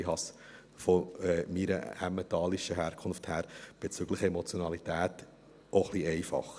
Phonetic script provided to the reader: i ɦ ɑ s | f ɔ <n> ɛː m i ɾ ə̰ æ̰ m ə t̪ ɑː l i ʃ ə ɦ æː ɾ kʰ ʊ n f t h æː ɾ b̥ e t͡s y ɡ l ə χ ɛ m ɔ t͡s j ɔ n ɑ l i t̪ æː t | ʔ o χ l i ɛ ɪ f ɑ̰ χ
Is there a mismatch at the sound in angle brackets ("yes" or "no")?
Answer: yes